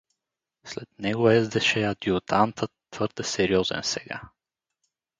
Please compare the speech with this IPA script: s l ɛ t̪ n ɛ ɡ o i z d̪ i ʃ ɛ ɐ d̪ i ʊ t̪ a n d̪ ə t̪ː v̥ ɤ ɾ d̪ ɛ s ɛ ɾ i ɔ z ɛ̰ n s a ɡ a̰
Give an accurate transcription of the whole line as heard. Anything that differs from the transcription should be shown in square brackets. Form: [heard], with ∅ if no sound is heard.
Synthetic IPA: s l ɛ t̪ n ɛ ɡ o [ɛ] z d̪ [ɛ] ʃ ɛ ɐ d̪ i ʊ t̪ a n [t̪] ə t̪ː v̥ ɤ ɾ d̪ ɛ s ɛ ɾ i ɔ z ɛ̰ n s [ɛ] ɡ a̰